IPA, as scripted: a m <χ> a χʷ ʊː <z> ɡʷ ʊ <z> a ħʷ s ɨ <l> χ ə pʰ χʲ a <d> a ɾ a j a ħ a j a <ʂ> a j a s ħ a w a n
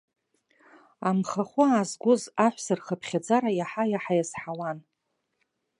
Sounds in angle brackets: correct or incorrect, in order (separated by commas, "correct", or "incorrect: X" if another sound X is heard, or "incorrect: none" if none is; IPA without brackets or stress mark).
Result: correct, correct, correct, incorrect: r, incorrect: d͡z, incorrect: ħ